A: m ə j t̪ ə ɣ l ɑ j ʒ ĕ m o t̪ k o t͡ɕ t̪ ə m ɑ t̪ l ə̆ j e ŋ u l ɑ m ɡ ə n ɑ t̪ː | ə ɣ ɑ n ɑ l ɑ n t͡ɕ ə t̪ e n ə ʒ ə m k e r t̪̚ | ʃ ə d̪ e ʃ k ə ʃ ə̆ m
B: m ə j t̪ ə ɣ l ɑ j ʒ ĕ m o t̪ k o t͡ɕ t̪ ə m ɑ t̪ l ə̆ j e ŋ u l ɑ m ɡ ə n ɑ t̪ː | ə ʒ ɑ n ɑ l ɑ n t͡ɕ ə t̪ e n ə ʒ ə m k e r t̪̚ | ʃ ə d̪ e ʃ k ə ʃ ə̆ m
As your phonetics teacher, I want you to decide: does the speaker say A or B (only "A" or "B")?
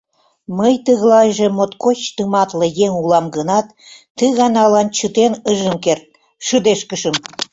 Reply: A